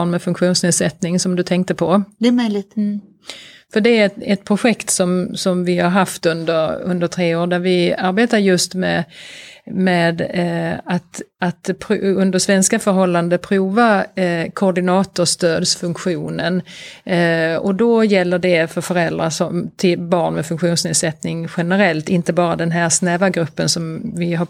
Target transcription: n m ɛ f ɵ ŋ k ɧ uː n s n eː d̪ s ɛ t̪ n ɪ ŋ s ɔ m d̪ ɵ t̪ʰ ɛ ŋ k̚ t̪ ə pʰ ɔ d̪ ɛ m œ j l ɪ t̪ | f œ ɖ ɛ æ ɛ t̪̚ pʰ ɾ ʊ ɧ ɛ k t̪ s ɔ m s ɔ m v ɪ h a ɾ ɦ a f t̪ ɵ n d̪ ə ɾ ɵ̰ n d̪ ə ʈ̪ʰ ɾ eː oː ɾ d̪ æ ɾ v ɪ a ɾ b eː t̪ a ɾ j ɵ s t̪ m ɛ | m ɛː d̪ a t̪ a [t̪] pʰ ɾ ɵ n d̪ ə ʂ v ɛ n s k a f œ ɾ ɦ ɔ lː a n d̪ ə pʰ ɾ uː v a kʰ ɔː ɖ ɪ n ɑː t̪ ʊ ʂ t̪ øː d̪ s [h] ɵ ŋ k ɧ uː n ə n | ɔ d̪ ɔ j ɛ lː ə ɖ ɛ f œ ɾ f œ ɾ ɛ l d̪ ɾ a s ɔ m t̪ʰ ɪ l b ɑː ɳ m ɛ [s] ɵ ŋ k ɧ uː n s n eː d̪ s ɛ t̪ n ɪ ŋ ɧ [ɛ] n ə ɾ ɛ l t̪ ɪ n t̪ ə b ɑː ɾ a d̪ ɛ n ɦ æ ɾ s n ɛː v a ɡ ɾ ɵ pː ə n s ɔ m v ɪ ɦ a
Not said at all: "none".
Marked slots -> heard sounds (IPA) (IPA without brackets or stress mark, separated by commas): t̪, f, f, ɛ